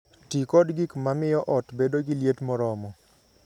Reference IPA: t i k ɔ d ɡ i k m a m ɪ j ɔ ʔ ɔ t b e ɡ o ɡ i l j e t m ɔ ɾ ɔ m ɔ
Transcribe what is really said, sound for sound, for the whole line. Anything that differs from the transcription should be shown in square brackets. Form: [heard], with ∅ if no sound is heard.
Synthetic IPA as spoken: t i k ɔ d ɡ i k m a m ɪ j ɔ ʔ ɔ t b e [d] o ɡ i l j e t m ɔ ɾ ɔ m ɔ

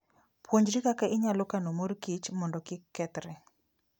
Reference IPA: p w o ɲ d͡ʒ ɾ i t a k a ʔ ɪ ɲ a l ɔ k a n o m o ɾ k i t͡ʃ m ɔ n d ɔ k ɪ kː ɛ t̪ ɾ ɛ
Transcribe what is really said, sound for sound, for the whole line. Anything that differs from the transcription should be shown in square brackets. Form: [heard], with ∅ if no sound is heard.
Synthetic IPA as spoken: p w o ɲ d͡ʒ ɾ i [k] a k a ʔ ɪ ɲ a l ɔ k a n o m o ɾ k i t͡ʃ m ɔ n d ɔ k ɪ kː ɛ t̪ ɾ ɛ

